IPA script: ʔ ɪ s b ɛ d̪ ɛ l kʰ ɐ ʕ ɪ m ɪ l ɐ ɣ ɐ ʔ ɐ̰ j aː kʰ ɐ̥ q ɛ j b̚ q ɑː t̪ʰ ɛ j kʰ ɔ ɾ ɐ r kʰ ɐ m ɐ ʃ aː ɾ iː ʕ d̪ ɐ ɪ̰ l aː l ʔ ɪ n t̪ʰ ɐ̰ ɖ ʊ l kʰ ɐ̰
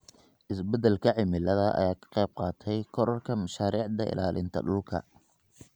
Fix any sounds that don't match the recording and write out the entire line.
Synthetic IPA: ʔ ɪ s b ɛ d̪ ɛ l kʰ ɐ ʕ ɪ m ɪ l ɐ ð ɐ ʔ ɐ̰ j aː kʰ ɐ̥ q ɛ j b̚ q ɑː t̪ʰ ɛ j kʰ ɔ ɾ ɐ r kʰ ɐ m ɐ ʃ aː ɾ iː ʕ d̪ ɐ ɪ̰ l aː l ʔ ɪ n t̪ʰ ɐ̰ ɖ ʊ l kʰ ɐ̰